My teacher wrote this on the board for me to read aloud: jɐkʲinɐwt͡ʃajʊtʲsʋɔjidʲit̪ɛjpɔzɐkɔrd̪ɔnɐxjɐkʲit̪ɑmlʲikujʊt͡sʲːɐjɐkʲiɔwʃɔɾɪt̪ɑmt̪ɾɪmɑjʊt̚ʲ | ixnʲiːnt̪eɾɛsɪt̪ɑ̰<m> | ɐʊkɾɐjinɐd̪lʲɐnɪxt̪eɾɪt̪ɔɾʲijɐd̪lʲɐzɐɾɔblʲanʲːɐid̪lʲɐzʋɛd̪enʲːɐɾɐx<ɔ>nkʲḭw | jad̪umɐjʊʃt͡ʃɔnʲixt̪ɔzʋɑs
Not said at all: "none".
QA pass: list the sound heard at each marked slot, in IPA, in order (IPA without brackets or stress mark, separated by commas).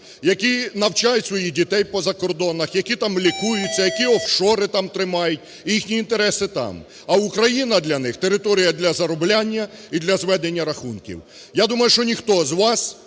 m, u